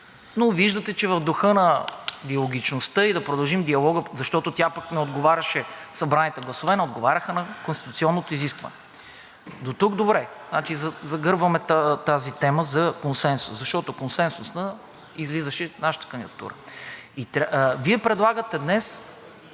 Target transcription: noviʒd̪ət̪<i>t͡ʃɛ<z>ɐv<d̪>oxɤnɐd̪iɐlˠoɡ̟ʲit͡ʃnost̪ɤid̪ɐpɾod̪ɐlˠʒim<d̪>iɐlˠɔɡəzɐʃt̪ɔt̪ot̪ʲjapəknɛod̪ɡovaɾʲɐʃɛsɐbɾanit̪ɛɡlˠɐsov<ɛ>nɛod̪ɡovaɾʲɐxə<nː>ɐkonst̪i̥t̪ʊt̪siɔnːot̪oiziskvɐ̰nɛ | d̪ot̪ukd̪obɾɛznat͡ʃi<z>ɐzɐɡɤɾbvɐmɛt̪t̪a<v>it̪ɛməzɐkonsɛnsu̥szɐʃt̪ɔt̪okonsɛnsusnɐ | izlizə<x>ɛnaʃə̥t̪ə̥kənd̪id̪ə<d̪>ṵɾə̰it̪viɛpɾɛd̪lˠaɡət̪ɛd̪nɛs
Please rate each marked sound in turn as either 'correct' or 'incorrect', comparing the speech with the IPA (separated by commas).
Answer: incorrect, incorrect, correct, correct, correct, incorrect, correct, incorrect, incorrect, incorrect